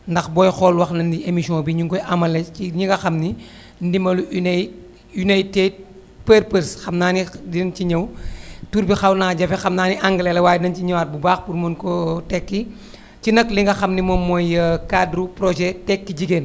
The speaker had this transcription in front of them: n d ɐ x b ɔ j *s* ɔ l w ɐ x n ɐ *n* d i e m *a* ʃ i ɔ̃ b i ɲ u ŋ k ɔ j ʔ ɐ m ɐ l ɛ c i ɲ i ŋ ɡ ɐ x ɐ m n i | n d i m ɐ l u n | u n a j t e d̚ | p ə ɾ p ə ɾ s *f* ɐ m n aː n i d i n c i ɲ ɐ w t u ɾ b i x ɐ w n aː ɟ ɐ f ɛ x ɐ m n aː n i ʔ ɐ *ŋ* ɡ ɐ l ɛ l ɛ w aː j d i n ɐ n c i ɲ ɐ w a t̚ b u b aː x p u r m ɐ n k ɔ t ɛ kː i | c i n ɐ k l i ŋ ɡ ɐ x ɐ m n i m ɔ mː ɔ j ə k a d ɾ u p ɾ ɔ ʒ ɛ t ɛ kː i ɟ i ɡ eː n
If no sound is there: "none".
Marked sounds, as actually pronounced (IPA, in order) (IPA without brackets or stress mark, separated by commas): x, n, i, x, ŋ